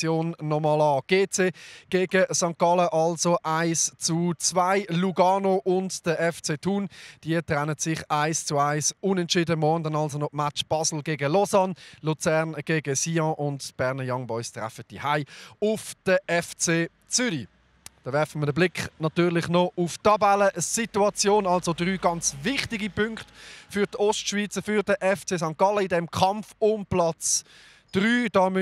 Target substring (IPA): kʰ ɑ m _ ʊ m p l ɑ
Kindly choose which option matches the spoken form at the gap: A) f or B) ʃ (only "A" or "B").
A